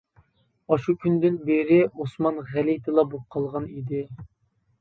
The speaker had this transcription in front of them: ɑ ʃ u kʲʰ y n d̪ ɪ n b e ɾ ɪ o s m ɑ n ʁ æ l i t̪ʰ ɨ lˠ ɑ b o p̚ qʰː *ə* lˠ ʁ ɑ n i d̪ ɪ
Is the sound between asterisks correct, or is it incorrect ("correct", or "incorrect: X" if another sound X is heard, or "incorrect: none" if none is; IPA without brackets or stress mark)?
incorrect: ɑ